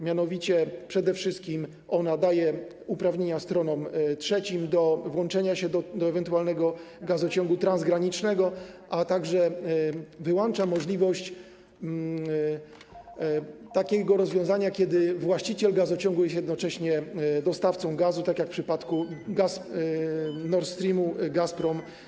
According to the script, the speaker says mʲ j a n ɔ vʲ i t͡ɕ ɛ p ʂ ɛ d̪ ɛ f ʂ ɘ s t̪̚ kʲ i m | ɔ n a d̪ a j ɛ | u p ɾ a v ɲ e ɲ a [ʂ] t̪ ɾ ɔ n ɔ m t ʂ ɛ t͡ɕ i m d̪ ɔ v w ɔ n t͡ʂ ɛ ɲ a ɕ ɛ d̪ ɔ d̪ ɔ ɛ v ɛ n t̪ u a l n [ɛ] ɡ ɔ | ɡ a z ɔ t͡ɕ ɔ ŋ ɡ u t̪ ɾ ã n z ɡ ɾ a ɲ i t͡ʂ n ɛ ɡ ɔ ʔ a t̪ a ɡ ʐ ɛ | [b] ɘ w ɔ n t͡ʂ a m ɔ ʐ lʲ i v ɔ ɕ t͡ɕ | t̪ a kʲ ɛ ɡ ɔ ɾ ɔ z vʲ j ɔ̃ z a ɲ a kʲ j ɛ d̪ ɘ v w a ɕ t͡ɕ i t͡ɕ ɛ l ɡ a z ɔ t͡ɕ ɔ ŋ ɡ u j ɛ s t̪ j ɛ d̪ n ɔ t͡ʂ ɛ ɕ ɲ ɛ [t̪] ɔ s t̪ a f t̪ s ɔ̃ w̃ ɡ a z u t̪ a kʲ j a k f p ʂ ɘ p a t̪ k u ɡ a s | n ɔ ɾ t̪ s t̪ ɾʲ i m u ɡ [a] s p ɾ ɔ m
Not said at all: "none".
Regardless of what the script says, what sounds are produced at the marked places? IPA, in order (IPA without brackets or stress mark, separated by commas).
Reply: s, ɛ, v, d̪, a